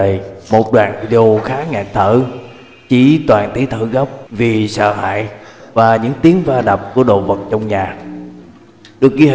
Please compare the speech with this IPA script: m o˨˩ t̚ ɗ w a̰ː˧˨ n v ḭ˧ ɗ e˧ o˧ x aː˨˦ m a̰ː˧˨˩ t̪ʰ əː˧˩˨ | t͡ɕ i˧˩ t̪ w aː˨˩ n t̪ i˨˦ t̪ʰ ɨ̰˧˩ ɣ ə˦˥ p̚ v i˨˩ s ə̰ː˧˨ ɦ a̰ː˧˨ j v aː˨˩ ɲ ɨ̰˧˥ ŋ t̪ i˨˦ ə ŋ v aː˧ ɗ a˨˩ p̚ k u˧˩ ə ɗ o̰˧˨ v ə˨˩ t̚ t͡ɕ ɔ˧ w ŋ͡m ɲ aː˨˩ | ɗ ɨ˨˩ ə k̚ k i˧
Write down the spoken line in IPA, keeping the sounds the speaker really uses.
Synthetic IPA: m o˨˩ t̚ ɗ w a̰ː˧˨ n v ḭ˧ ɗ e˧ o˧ x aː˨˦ ŋ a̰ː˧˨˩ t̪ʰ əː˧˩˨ | t͡ɕ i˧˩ t̪ w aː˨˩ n t̪ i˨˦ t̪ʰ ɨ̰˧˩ ɣ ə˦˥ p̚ v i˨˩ s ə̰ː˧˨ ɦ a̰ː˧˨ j v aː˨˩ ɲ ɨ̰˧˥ ŋ t̪ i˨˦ ə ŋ v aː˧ ɗ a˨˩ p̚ k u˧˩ ə ɗ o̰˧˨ v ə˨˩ t̚ t͡ɕ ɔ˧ w ŋ͡m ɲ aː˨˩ | ɗ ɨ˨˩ ə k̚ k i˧

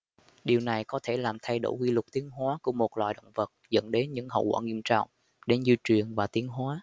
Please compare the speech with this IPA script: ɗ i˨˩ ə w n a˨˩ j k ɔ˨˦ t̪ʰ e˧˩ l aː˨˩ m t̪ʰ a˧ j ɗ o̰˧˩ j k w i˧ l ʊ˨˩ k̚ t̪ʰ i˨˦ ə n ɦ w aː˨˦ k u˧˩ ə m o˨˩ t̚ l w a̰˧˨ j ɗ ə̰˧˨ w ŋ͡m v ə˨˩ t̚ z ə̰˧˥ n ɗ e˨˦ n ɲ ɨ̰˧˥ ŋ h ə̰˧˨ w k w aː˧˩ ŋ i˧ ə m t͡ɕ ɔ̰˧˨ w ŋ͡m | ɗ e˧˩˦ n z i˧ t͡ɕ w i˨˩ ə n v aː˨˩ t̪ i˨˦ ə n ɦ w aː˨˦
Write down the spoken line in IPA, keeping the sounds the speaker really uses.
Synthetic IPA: ɗ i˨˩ ə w n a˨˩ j k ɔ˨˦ t̪ʰ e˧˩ l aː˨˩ m t̪ʰ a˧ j ɗ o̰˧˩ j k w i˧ l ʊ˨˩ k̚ t̪ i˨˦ ə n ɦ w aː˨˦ k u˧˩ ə m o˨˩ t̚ l w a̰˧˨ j ɗ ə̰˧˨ w ŋ͡m v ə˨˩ t̚ z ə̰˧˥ n ɗ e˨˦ n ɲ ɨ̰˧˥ ŋ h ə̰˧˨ w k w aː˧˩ ŋ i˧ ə m t͡ɕ ɔ̰˧˨ w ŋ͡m | ɗ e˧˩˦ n z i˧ t͡ɕ w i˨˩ ə n v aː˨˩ t̪ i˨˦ ə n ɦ w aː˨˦

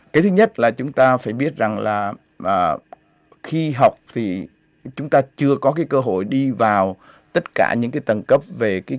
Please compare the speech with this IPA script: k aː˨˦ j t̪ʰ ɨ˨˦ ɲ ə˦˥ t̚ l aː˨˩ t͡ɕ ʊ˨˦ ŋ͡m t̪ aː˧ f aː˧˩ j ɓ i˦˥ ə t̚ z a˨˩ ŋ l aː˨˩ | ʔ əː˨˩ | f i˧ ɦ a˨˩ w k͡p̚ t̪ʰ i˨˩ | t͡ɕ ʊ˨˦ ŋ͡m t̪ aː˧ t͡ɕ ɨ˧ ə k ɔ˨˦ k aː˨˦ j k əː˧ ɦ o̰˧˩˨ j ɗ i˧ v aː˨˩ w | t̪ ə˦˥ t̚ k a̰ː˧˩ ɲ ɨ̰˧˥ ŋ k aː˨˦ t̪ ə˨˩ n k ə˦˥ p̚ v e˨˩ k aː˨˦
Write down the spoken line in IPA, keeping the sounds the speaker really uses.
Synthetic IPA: k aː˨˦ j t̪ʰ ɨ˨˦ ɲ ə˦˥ t̚ l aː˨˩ t͡ɕ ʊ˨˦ ŋ͡m t̪ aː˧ f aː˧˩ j ɓ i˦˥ ə t̚ z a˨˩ ŋ l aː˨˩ | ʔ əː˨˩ | x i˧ ɦ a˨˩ w k͡p̚ t̪ʰ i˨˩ | t͡ɕ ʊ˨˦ ŋ͡m t̪ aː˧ t͡ɕ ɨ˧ ə k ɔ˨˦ k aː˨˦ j k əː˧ ɦ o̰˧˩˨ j ɗ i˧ v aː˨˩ w | t̪ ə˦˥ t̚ k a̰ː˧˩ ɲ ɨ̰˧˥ ŋ k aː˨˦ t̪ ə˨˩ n k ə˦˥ p̚ v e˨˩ k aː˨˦

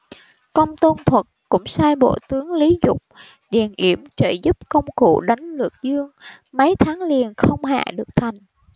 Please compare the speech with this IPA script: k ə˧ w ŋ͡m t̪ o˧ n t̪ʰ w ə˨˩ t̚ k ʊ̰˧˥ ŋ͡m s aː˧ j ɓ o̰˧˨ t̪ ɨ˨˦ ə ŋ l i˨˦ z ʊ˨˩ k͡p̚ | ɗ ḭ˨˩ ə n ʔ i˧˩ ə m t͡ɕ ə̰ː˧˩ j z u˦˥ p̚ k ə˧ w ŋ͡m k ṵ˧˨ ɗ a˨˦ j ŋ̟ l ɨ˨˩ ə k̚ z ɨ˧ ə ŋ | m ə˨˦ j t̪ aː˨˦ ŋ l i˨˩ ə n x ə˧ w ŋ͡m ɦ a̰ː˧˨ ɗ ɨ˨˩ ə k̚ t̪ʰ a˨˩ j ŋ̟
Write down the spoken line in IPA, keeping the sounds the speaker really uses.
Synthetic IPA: k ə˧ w ŋ͡m t̪ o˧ n t̪ʰ w ə˨˩ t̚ k ʊ̰˧˥ ŋ͡m s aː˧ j ɓ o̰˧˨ t̪ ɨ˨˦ ə ŋ l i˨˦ z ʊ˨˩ k͡p̚ | ɗ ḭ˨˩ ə n ʔ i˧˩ ə m t͡ɕ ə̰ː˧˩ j z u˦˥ p̚ k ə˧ w ŋ͡m k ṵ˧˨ ɗ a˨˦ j ŋ̟ l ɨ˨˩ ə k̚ z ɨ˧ ə ŋ | m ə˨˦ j t̪ʰ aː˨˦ ŋ l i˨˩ ə n x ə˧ w ŋ͡m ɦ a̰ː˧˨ ɗ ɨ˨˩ ə k̚ t̪ʰ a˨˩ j ŋ̟

